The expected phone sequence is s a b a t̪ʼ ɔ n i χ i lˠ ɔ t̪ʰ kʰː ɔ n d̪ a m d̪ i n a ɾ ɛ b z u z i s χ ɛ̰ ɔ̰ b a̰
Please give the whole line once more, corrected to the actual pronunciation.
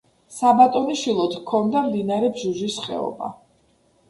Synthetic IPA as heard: s a b a t̪ʼ ɔ n i ʃ i lˠ ɔ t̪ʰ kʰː ɔ n d̪ a m d̪ i n a ɾ ɛ b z u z i s χ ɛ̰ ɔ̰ b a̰